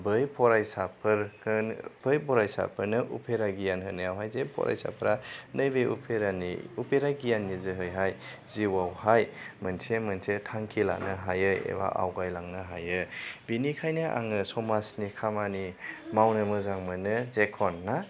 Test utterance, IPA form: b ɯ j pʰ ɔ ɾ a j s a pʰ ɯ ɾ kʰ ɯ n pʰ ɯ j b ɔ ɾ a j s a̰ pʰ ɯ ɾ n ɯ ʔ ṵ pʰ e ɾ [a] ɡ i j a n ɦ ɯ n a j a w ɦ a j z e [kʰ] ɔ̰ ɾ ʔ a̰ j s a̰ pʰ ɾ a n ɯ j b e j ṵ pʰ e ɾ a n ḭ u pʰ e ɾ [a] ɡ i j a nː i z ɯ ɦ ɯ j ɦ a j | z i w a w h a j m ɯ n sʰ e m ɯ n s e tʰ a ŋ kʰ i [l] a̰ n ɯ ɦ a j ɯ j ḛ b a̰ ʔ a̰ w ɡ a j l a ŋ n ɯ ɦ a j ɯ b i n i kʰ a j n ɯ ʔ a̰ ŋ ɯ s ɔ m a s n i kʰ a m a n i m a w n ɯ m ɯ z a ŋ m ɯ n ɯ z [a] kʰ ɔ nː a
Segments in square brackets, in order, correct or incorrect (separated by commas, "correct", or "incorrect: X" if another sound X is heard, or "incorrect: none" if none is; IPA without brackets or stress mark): correct, incorrect: pʰ, correct, correct, incorrect: e